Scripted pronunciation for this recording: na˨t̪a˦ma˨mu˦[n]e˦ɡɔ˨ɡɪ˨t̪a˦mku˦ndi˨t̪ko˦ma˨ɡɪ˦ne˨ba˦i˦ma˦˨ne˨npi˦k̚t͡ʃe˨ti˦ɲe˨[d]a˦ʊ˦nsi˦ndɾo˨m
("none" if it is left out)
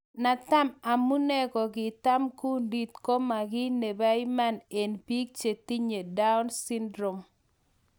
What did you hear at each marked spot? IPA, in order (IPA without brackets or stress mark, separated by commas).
n, d